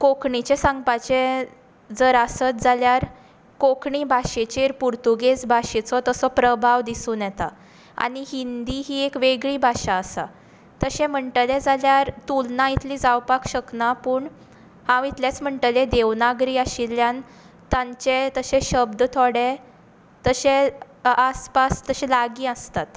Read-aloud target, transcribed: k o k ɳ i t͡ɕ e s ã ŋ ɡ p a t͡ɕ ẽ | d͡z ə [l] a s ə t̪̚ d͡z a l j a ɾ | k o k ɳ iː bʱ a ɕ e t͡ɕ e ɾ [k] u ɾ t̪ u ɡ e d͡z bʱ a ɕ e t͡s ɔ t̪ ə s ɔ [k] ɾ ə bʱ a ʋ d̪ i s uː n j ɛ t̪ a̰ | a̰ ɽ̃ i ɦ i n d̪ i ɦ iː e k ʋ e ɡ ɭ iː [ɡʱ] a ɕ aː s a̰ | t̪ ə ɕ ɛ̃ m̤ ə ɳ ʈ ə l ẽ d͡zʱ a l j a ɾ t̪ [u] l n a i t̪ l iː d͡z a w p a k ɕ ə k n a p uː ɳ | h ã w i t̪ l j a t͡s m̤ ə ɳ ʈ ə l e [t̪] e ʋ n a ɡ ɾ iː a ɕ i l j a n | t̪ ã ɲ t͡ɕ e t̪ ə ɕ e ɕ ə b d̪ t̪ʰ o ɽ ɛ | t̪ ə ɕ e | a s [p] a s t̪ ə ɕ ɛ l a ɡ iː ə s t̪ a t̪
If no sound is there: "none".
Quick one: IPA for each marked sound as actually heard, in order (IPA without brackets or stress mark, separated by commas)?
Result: ɾ, p, p, bʱ, u, d̪, p